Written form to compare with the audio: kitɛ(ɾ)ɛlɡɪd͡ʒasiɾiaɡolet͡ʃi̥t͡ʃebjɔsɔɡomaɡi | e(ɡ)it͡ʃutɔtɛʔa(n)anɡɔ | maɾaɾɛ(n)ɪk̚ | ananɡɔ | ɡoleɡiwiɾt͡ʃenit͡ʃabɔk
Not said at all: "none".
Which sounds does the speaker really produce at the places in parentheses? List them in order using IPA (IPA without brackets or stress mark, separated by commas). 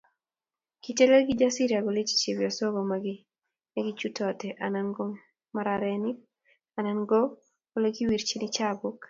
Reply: l, ɡ, n, n